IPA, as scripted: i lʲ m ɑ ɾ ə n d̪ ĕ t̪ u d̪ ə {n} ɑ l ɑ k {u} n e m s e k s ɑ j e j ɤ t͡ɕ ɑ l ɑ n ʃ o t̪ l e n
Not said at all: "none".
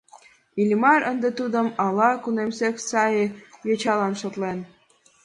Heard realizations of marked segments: m, u

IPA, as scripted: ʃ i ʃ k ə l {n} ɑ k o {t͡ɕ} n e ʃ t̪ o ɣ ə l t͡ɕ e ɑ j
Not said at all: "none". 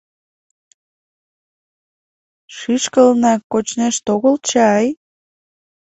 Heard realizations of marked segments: n, t͡ɕ

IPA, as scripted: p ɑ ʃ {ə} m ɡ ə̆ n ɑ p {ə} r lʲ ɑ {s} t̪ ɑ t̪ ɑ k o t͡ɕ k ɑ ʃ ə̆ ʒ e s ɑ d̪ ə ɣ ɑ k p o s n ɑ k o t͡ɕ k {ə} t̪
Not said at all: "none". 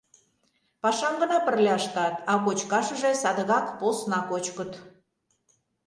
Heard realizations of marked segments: ɑ, ə, ʃ, ə

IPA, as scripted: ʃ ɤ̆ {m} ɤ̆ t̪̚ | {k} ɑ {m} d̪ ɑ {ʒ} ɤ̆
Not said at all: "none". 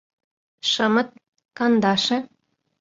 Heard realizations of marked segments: m, k, n, ʃ

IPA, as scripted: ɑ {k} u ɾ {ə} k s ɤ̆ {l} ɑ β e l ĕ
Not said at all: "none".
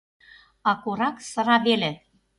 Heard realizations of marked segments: k, ɑ, ɾ

